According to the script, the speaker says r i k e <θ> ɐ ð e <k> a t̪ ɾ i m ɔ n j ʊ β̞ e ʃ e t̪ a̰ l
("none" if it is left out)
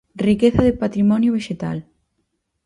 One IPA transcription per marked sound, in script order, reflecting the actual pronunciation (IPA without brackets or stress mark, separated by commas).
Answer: θ, p